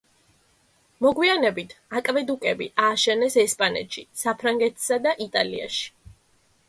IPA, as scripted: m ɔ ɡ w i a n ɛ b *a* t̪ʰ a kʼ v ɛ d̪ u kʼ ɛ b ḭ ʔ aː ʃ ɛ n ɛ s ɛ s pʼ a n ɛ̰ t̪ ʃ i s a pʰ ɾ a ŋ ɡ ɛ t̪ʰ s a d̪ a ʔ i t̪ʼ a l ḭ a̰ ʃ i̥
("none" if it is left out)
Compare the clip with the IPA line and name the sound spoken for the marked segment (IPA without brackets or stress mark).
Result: i